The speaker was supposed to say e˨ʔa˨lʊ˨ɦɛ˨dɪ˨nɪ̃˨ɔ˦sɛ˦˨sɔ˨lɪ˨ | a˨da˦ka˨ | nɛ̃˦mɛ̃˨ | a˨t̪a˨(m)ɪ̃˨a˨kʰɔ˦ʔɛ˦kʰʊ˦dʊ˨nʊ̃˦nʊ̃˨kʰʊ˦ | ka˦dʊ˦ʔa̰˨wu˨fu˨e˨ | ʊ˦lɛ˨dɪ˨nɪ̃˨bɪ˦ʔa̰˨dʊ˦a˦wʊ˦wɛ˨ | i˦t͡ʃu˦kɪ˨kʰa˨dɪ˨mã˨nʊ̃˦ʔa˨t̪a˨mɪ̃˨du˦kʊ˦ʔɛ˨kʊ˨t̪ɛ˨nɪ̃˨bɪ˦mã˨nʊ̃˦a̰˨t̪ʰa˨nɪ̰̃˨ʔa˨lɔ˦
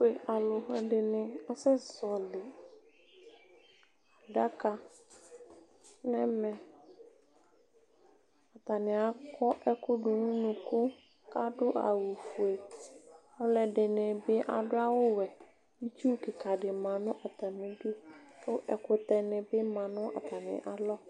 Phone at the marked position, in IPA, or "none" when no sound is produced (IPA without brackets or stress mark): n